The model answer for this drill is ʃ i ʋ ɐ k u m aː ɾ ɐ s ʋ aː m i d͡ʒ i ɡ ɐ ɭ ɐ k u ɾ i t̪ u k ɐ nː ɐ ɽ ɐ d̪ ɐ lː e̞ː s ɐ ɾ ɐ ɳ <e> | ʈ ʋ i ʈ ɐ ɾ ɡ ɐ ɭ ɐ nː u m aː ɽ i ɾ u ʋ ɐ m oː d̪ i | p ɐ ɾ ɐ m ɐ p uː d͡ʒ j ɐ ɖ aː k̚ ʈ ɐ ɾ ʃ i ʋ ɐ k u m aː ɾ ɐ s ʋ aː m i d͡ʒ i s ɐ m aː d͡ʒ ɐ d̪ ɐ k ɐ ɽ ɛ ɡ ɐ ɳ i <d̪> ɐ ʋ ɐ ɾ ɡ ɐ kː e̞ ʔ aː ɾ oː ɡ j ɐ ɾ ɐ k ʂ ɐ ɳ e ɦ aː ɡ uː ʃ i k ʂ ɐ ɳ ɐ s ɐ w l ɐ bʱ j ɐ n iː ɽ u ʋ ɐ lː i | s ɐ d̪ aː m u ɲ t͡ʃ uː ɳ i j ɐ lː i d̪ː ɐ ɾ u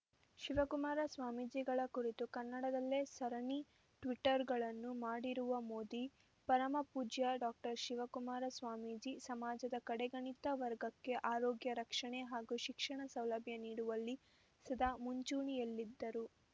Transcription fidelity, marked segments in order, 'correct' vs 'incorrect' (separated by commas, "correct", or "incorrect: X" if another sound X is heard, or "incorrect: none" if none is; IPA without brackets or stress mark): incorrect: i, incorrect: t̪